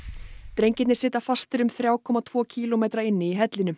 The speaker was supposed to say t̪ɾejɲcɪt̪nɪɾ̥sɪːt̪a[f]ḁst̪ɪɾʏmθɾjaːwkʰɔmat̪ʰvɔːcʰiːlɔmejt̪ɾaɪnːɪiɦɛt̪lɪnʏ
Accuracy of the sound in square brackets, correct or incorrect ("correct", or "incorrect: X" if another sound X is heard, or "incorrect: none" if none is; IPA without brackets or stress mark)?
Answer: correct